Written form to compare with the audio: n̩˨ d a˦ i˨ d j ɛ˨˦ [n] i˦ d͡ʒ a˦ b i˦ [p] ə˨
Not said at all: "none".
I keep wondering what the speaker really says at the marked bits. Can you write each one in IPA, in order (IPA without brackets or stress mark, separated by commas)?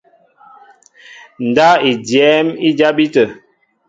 m, t